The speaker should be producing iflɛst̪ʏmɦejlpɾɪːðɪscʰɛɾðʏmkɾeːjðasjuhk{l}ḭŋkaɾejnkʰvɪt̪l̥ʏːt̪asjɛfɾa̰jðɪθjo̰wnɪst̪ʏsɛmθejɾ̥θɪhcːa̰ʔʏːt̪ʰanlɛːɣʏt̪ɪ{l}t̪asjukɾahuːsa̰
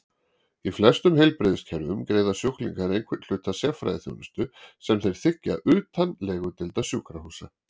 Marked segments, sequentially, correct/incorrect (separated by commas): correct, correct